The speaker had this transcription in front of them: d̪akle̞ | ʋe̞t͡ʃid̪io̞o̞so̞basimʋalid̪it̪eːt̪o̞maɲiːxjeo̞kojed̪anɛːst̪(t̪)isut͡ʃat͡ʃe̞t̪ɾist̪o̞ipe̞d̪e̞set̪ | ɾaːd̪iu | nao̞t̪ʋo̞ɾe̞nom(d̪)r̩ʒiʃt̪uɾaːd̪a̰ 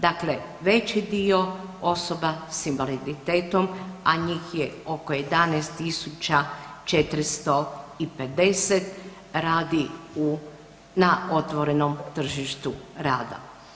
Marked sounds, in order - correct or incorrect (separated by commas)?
correct, incorrect